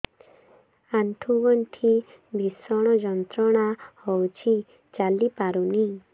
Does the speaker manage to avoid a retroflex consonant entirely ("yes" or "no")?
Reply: no